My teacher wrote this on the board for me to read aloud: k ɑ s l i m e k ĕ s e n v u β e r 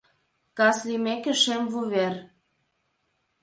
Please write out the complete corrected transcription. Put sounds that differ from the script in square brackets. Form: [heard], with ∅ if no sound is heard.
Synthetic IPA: k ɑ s l i m e k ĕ [ʃ] e [m] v u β e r